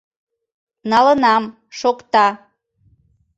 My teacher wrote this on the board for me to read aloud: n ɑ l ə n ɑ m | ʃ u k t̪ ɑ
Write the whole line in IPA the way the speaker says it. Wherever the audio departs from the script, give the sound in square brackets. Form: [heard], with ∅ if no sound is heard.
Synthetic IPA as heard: n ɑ l ə n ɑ m | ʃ [o] k t̪ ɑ